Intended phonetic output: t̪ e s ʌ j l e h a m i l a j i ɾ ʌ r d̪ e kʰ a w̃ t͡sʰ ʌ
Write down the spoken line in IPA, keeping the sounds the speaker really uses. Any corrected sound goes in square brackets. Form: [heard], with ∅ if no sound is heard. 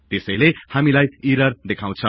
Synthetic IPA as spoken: t̪ e s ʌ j l e h a m i l a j i ɾ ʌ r d̪ e kʰ a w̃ t͡sʰ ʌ